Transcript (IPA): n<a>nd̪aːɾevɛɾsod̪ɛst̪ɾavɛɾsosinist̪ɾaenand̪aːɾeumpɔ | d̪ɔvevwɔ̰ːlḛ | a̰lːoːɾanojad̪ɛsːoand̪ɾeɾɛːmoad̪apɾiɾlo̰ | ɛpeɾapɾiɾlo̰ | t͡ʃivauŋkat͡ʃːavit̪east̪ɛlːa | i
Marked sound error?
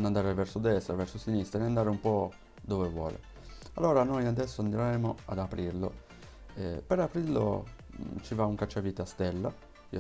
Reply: no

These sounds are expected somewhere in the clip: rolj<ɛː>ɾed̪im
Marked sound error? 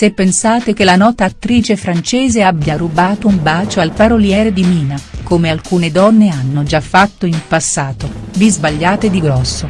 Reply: no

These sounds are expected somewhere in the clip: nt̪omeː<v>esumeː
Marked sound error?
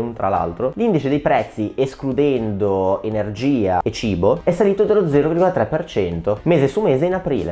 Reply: yes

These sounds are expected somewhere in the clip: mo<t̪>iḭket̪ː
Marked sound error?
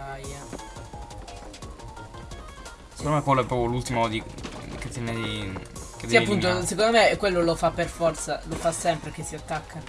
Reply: yes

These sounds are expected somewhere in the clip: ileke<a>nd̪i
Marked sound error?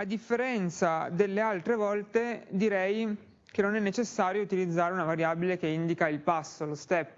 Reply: yes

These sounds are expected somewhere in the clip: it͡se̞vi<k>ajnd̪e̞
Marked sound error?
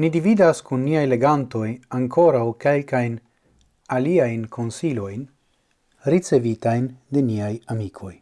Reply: yes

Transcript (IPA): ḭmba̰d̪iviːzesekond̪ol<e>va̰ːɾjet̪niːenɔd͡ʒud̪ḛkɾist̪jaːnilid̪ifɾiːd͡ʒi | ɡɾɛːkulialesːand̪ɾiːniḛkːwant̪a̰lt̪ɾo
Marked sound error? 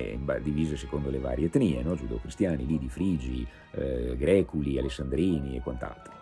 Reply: no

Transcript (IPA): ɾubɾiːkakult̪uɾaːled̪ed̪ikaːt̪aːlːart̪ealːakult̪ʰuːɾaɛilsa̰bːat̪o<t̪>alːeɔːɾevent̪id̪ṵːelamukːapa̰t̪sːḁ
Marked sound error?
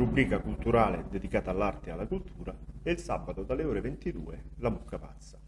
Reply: yes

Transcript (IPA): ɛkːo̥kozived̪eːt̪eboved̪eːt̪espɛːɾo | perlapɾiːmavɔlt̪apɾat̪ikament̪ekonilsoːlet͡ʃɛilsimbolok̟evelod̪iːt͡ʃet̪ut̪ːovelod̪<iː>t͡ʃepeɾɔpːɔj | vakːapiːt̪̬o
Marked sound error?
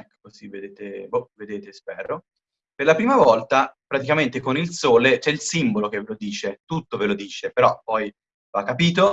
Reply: no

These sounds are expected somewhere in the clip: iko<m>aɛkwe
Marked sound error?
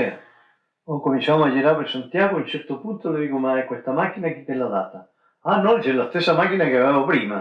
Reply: no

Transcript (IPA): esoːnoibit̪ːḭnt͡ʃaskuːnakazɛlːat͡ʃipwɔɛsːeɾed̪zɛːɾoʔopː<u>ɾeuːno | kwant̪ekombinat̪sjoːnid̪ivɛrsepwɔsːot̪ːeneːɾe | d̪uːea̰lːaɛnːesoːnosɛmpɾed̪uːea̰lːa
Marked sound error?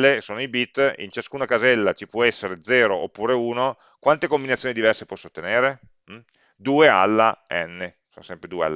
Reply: yes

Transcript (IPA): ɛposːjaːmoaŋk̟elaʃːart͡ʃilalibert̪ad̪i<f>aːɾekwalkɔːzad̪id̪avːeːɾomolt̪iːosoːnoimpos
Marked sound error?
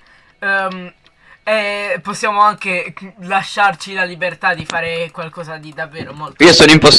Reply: no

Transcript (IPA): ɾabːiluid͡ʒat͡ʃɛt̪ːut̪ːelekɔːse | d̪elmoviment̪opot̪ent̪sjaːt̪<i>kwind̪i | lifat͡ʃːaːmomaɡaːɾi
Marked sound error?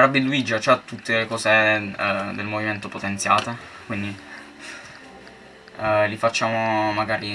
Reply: yes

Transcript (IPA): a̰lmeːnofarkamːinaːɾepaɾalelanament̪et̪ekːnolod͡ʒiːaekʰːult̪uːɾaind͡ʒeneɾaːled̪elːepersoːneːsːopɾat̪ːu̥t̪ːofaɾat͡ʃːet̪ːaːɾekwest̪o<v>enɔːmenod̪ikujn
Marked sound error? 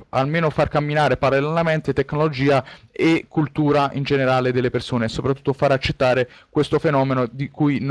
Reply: yes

